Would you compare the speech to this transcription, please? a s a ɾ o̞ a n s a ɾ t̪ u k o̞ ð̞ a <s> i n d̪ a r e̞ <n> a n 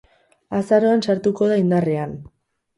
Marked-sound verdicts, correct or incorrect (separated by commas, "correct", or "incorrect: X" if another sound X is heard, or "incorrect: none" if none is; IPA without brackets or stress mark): incorrect: none, incorrect: none